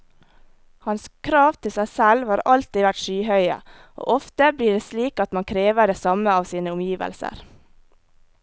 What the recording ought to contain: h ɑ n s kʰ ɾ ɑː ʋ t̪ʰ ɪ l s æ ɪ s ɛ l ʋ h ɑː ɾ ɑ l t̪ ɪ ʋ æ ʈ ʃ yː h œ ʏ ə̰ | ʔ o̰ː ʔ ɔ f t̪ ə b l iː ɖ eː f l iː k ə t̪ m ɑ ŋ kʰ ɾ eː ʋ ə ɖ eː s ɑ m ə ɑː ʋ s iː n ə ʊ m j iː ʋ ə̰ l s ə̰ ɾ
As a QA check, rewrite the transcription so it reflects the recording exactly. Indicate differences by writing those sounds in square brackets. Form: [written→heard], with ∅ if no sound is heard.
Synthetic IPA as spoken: h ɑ n s kʰ ɾ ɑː ʋ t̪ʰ ɪ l s æ ɪ s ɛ l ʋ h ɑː ɾ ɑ l t̪ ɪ ʋ æ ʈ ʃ yː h œ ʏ ə̰ | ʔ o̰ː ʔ ɔ f t̪ ə b l iː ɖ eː [f→s] l iː k [ə→ɑ] t̪ m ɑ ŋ kʰ ɾ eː ʋ ə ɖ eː s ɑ m ə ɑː ʋ s iː n ə ʊ m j iː ʋ ə̰ l s ə̰ ɾ